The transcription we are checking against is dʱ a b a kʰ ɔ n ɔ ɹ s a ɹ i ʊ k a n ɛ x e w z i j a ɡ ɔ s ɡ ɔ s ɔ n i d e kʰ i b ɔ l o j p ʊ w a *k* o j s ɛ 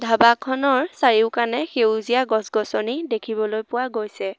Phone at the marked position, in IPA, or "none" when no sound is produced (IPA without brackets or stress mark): ɡ